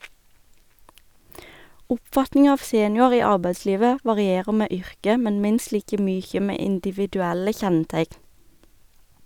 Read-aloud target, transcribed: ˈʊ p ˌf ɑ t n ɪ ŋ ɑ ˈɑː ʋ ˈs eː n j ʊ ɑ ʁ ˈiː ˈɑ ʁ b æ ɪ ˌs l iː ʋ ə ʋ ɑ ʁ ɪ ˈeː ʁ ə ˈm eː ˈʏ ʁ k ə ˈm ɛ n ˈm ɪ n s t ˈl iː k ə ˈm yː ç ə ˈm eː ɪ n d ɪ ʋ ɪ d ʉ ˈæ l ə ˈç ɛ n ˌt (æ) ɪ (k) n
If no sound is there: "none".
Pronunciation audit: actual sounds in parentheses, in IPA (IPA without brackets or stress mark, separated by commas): æ, k